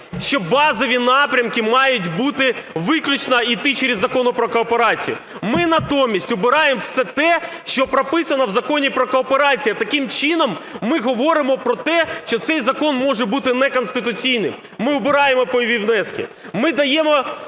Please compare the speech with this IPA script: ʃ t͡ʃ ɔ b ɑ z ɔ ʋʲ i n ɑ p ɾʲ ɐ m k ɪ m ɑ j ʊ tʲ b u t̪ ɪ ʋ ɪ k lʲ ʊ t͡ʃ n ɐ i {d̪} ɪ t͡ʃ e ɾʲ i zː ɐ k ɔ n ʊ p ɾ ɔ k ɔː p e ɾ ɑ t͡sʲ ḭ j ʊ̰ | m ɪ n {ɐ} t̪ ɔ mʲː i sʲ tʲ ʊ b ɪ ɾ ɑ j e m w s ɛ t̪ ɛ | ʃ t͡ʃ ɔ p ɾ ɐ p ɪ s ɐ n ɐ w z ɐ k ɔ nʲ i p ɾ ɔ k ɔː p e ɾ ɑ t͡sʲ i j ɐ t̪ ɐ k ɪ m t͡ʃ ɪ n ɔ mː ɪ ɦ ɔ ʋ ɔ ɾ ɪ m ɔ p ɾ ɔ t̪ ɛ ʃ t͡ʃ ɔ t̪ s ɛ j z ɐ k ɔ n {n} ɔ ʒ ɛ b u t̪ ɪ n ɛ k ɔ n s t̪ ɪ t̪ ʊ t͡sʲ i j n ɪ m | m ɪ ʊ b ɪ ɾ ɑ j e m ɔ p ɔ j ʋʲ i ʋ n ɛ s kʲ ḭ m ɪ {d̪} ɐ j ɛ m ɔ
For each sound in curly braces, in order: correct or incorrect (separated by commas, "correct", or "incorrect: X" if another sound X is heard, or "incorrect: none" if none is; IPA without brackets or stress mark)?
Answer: incorrect: t̪, correct, incorrect: m, correct